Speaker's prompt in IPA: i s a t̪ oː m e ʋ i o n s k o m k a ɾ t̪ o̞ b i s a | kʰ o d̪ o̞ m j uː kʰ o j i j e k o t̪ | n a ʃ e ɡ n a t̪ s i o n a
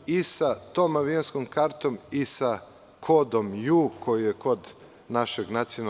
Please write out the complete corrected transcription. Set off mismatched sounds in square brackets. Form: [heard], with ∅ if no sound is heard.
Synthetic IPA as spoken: i s a t̪ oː m [a] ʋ i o n s k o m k a ɾ t̪ o̞ [m] i s a | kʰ o d̪ o̞ m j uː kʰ o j i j e k o [d̪] | n a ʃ e ɡ n a t̪ s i o n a